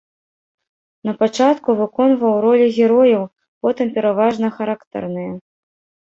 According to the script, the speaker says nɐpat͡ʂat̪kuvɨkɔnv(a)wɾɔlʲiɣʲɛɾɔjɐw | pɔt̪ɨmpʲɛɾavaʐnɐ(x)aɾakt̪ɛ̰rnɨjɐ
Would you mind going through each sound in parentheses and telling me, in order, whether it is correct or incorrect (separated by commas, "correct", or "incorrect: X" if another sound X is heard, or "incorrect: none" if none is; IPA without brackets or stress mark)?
incorrect: ɐ, correct